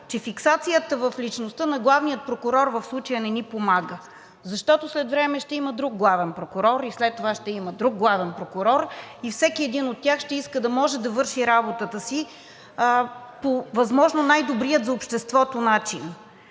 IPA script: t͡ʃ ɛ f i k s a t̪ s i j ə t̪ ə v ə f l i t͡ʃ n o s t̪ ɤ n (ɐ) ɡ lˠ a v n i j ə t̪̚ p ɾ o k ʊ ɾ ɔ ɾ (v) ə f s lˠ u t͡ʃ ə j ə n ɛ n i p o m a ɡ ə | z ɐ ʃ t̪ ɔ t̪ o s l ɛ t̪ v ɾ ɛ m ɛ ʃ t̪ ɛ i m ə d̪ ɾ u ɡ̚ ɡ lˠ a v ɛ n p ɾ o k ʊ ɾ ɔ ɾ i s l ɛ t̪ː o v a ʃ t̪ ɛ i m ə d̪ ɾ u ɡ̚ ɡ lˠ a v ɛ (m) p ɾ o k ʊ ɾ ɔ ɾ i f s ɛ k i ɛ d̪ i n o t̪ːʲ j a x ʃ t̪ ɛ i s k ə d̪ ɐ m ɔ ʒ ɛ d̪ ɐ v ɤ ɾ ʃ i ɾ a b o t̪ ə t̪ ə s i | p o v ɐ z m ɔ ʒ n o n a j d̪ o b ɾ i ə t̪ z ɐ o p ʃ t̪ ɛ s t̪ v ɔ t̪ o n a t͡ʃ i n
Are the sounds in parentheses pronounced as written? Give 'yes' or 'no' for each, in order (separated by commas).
yes, yes, no